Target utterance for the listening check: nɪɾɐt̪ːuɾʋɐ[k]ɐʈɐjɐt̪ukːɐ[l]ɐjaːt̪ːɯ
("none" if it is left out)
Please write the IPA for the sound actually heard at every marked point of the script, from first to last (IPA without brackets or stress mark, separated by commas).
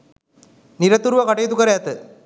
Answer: k, ɾ